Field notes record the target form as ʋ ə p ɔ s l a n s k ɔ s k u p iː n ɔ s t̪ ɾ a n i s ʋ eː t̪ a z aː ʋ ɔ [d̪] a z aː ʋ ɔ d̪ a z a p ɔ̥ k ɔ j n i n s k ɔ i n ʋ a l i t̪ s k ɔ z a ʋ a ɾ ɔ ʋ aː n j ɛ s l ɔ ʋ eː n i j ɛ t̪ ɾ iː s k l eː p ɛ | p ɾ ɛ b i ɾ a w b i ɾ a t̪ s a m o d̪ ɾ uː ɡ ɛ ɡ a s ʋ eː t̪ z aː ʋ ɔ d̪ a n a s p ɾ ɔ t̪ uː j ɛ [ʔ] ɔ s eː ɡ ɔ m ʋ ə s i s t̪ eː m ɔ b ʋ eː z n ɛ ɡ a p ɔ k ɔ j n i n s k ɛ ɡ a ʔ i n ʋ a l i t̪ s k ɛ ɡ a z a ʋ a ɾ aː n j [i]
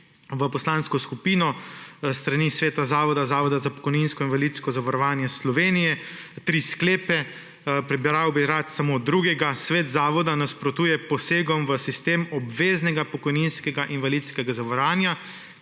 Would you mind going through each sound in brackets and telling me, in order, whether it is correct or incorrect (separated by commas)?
correct, incorrect, incorrect